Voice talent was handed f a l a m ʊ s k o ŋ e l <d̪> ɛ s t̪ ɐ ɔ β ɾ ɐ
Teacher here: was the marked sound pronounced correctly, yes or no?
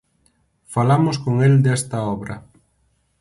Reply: yes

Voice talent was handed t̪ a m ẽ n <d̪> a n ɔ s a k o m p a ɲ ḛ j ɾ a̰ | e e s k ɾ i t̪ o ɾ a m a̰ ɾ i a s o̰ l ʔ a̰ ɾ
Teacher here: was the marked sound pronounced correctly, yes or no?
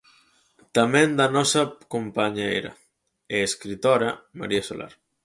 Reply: yes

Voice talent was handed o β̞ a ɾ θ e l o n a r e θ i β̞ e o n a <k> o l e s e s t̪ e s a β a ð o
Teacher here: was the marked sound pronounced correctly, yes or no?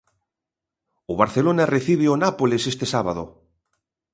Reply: no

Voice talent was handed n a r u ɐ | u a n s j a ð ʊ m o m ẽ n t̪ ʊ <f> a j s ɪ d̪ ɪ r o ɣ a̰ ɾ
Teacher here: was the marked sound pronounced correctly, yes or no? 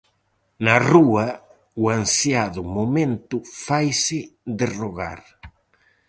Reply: yes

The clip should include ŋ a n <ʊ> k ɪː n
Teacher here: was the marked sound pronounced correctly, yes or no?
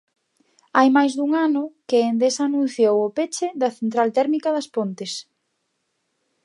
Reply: yes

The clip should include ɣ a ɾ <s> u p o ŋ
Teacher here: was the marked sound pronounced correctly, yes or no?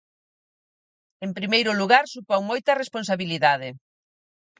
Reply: yes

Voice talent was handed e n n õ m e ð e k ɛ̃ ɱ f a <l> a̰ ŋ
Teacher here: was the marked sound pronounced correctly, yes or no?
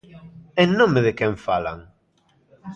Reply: yes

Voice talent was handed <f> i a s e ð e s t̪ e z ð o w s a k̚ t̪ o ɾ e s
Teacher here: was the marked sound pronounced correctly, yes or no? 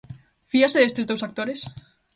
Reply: yes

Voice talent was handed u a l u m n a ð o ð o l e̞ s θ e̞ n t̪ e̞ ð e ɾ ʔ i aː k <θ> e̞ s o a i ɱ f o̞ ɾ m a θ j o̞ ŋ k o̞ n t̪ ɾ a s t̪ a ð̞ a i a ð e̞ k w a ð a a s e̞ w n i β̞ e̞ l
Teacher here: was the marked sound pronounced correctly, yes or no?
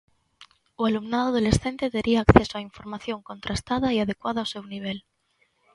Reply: yes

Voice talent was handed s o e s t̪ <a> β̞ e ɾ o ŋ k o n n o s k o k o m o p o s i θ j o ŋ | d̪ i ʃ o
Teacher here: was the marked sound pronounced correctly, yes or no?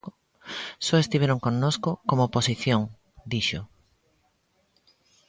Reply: no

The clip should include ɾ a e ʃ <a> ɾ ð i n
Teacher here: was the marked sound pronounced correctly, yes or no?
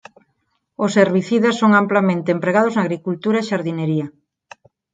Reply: yes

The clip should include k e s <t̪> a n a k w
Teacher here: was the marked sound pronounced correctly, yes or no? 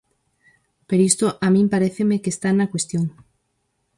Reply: yes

